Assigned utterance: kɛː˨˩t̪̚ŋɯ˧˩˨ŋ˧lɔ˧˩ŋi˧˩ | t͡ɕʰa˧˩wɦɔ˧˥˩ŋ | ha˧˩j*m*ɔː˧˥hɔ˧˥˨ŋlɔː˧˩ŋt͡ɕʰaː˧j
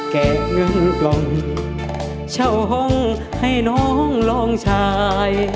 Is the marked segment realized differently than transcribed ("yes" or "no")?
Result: yes